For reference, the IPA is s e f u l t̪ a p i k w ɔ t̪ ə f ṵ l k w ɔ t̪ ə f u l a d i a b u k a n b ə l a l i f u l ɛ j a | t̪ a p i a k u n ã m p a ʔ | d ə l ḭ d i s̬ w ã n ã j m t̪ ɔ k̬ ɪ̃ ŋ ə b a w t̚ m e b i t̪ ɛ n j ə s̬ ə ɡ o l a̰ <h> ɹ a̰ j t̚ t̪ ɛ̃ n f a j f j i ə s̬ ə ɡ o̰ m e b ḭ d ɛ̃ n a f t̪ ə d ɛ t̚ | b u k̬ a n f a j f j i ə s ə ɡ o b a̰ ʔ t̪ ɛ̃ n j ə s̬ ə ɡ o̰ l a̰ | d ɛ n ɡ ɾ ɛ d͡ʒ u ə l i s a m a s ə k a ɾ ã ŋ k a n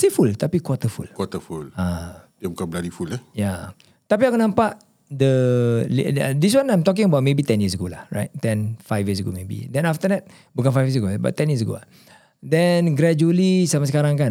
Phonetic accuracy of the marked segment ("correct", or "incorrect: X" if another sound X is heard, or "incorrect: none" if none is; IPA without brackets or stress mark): correct